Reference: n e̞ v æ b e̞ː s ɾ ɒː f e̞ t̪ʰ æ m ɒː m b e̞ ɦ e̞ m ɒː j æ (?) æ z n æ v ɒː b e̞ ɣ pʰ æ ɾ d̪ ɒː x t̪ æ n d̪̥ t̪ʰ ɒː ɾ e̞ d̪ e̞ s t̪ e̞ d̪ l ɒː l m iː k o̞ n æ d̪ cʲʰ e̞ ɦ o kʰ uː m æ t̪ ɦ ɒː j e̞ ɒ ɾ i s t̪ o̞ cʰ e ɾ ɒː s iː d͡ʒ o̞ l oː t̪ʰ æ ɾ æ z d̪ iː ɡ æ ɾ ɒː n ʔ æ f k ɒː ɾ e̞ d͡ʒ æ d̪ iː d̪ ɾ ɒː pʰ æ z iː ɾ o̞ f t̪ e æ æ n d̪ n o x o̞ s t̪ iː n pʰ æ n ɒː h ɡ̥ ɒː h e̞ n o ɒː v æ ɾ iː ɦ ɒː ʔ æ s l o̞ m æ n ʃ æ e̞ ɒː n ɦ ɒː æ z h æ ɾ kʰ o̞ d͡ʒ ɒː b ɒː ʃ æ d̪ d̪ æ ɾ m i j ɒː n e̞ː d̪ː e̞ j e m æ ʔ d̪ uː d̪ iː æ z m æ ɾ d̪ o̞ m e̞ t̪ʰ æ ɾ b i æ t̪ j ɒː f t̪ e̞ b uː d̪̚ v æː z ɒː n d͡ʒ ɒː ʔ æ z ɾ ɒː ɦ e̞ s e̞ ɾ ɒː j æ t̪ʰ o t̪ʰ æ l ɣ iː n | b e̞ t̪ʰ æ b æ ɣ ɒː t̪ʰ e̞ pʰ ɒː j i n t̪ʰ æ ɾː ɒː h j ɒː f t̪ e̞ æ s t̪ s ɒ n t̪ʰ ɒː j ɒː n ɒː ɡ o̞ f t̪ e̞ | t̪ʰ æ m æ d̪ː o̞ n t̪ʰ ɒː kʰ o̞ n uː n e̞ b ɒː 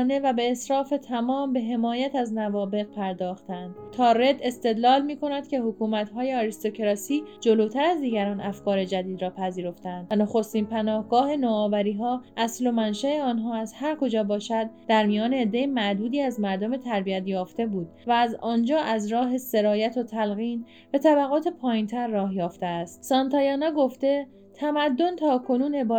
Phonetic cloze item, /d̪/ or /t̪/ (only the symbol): t̪